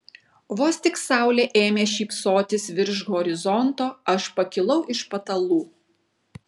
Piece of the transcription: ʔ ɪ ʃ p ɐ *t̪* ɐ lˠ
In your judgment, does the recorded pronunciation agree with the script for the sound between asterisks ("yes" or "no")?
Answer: yes